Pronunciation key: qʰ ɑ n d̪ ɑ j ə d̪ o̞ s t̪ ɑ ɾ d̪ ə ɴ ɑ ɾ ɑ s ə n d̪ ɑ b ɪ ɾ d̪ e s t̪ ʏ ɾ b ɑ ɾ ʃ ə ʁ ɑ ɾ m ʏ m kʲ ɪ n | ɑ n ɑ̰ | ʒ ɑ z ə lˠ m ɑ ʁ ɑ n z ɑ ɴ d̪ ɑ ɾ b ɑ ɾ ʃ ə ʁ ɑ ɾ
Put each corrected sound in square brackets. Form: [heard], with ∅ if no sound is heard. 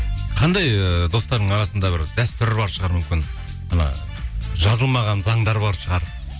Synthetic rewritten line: qʰ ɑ n d̪ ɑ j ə d̪ o̞ s t̪ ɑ ɾ d̪ ə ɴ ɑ ɾ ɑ s ə n d̪ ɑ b ɪ ɾ d̪ [æ] s t̪ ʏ ɾ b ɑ ɾ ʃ ə ʁ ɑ ɾ m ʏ m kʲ ɪ n | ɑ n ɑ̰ | ʒ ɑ z ə lˠ m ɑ ʁ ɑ n z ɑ ɴ d̪ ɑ ɾ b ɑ ɾ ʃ ə ʁ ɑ ɾ